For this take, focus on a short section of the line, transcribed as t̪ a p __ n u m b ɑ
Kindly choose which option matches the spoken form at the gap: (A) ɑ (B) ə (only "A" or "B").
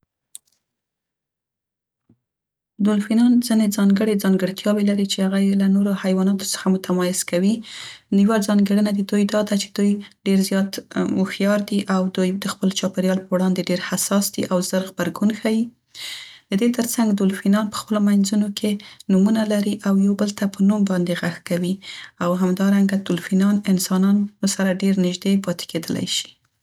B